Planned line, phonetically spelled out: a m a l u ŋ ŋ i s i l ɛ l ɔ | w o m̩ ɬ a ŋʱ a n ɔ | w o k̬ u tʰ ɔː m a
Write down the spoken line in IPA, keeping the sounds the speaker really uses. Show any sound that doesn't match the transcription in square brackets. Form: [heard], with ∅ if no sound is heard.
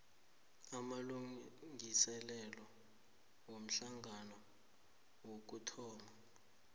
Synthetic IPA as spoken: a m a l u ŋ ŋ i s [ɛ] l ɛ l ɔ | w o m̩ ɬ a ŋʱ a n ɔ | w o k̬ u tʰ ɔː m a